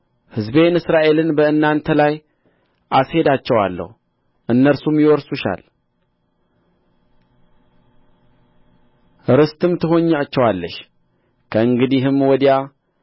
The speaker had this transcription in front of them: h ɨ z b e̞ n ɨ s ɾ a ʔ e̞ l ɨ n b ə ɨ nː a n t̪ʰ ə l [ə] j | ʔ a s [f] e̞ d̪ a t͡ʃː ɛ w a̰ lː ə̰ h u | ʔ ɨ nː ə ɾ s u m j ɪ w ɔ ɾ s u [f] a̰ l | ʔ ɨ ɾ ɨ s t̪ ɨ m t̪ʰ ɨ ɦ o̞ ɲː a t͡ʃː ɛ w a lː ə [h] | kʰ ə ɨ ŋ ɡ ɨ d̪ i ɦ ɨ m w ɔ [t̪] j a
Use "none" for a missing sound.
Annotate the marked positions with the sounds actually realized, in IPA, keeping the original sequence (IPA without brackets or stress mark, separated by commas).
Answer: a, h, ʃ, ʃ, d̪